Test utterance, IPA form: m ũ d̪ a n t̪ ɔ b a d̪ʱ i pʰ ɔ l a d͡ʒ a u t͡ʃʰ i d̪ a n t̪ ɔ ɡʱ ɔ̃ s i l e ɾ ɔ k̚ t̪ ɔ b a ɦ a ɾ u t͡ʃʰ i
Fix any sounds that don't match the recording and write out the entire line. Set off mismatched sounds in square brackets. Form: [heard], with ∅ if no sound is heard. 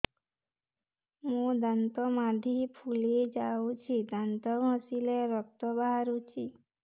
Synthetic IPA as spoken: m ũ d̪ a n t̪ ɔ [m] a d̪ʱ i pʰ [u] l [e] d͡ʒ a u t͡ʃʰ i d̪ a n t̪ ɔ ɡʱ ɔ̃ s i l e ɾ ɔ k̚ t̪ ɔ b a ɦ a ɾ u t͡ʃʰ i